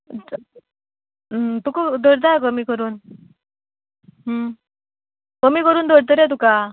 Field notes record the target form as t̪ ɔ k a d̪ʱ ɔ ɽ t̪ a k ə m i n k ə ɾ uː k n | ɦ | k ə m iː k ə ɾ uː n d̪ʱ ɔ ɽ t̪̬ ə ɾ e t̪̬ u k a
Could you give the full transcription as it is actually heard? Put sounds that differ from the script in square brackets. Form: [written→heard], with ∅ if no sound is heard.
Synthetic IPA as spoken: t̪ [ɔ→u] k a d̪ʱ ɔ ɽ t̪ a k ə m i [n→∅] k ə ɾ uː [k→∅] n | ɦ | k ə m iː k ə ɾ uː n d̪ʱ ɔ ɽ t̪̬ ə ɾ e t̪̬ u k a